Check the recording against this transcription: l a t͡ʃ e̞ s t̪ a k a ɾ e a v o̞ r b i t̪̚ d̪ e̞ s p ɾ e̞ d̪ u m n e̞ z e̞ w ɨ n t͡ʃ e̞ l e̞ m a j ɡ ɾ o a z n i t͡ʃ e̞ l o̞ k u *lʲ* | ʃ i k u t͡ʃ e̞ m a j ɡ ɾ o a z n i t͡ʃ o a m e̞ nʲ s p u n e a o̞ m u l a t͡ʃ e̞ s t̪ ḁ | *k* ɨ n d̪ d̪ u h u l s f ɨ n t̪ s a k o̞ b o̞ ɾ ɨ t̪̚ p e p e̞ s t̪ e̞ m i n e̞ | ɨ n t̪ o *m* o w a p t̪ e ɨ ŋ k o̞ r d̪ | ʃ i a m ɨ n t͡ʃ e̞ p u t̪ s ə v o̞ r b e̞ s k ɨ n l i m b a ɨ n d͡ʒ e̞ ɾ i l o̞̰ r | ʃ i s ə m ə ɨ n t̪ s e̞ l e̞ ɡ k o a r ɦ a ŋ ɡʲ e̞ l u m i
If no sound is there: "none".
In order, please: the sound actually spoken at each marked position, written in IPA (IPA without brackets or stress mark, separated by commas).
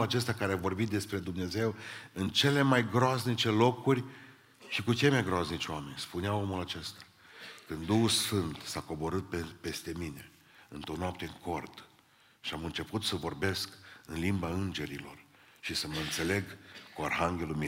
rʲ, k, n